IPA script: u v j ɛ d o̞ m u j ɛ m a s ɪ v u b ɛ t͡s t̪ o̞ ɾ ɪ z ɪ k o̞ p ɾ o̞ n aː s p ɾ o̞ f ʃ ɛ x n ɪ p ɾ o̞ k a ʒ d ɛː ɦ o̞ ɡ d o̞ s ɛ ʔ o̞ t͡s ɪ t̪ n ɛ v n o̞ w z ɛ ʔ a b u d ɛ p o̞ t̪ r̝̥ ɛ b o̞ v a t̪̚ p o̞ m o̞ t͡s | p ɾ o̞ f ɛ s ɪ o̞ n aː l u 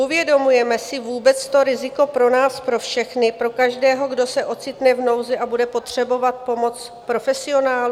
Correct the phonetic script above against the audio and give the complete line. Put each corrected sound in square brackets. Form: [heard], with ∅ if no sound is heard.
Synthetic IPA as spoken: u v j ɛ d o̞ m u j ɛ m [ɛ] s ɪ v [uː] b ɛ t͡s t̪ o̞ ɾ ɪ z ɪ k o̞ p ɾ o̞ n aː s p ɾ o̞ f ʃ ɛ x n ɪ p ɾ o̞ k a ʒ d ɛː ɦ o̞ ɡ d o̞ s ɛ ʔ o̞ t͡s ɪ t̪ n ɛ v n o̞ w z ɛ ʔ a b u d ɛ p o̞ t̪ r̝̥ ɛ b o̞ v a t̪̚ p o̞ m o̞ t͡s | p ɾ o̞ f ɛ s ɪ o̞ n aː l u